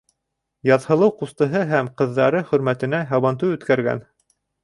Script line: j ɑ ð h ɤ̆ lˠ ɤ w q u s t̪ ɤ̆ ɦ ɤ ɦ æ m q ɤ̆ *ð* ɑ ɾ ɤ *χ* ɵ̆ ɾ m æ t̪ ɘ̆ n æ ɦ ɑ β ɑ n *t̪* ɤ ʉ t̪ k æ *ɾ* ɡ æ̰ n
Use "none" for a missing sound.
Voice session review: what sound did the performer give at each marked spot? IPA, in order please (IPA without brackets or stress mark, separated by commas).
ðː, χ, t̪, ɾ